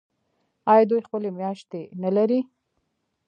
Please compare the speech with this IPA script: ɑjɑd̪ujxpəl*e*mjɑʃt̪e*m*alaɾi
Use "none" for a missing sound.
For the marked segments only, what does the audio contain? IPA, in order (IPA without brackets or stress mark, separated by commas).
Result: e, n